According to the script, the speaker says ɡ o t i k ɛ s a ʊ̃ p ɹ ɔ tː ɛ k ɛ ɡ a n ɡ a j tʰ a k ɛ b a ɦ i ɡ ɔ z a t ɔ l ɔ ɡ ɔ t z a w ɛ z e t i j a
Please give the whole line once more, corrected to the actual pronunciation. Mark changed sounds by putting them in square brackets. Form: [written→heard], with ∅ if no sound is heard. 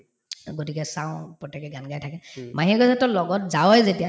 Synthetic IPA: ɡ o t i k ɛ s a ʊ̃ p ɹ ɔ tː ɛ k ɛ ɡ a n ɡ a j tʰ a k ɛ [b→m] a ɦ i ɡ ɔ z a t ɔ l ɔ ɡ ɔ t z a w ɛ z e t i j a